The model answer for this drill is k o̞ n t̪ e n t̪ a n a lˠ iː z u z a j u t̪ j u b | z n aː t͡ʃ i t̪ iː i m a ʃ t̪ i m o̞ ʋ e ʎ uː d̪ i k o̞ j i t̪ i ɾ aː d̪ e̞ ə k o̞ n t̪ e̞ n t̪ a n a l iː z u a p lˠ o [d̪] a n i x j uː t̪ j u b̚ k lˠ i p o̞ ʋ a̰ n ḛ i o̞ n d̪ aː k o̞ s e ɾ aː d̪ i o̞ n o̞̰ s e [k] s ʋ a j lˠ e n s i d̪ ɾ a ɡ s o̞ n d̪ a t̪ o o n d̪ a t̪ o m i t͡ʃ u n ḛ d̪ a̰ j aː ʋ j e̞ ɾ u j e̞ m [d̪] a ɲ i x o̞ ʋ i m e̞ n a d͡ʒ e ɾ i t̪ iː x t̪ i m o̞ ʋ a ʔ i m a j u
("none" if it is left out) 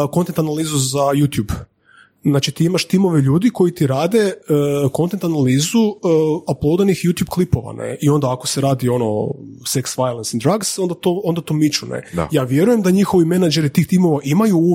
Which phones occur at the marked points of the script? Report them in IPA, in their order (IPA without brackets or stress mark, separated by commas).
d̪, k, d̪